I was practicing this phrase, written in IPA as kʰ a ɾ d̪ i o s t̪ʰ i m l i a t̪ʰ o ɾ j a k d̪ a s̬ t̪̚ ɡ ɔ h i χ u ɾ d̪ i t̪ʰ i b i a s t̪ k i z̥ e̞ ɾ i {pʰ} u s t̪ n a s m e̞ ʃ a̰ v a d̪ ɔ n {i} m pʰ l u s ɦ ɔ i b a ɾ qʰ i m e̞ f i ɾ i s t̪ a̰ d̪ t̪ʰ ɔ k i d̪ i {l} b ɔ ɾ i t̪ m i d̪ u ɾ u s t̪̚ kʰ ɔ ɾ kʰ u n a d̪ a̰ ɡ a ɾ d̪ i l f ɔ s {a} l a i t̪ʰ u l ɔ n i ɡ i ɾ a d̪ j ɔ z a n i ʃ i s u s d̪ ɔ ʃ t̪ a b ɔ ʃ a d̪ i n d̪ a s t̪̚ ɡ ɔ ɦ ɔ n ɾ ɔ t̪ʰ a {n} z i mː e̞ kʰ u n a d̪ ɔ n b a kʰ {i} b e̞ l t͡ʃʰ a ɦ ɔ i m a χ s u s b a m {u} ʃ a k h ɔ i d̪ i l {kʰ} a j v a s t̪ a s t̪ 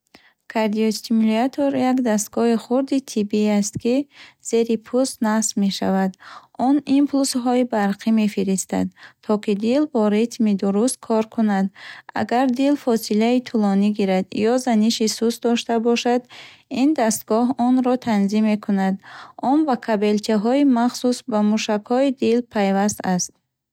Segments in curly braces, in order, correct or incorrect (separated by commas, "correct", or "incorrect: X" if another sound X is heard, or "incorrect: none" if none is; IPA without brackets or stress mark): correct, correct, correct, incorrect: i, correct, incorrect: a, correct, incorrect: pʰ